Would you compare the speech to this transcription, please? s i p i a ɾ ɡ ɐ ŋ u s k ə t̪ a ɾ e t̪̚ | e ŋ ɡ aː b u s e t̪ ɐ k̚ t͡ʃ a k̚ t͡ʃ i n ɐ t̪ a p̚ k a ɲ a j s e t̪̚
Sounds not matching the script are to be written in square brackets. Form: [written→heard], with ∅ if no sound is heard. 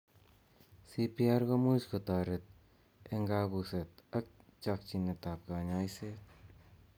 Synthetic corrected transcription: s i p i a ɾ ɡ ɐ [ŋ→m] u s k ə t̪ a ɾ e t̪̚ | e ŋ ɡ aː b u s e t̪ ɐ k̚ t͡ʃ a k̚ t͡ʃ i n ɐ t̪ a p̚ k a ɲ a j s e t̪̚